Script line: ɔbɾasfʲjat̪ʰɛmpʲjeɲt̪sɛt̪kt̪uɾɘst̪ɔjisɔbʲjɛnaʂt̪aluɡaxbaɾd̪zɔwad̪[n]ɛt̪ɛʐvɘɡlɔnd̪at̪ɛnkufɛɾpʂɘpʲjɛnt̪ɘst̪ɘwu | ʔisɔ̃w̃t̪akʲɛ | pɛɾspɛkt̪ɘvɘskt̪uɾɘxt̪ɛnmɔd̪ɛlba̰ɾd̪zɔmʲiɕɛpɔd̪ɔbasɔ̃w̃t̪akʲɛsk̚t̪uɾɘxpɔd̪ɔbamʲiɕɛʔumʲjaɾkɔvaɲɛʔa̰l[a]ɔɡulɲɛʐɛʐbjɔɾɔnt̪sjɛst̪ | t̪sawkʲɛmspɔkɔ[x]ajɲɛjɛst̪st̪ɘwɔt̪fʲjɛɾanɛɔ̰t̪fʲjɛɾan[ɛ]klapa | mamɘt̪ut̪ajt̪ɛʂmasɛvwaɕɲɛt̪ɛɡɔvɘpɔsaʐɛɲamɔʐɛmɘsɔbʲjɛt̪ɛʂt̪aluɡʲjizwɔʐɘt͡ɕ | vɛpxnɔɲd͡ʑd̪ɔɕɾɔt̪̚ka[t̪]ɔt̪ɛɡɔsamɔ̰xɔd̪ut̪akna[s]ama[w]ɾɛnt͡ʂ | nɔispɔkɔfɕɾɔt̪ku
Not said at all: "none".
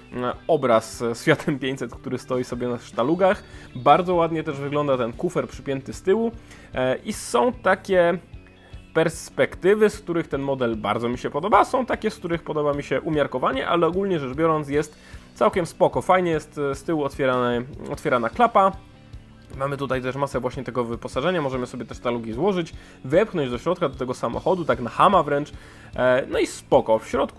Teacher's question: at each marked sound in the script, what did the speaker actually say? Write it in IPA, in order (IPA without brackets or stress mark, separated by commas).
ɲ, ɛ, f, a, d̪, x, v